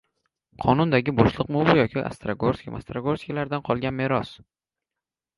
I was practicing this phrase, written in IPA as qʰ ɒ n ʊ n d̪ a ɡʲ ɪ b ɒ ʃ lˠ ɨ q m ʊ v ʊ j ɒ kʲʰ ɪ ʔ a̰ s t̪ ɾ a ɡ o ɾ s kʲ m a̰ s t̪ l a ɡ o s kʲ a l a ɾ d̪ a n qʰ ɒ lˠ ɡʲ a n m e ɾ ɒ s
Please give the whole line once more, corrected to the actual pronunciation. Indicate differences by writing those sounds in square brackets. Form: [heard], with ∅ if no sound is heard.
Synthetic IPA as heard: qʰ ɒ n ʊ n d̪ a ɡʲ ɪ b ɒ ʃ lˠ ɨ q m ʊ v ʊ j ɒ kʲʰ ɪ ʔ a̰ s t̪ ɾ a ɡ o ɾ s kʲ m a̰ s t̪ [ɾ] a ɡ o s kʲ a l a ɾ d̪ a n qʰ ɒ lˠ ɡʲ a n m e ɾ ɒ s